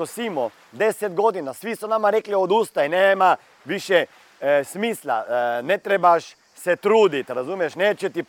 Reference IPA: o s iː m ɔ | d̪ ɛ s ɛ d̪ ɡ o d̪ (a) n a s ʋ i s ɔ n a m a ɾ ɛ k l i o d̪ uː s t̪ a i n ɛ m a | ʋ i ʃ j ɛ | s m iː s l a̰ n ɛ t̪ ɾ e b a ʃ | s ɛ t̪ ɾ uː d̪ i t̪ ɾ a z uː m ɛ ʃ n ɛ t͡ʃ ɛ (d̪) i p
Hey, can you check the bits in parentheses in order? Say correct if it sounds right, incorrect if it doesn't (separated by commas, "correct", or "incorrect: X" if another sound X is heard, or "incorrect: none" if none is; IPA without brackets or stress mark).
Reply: incorrect: i, incorrect: t̪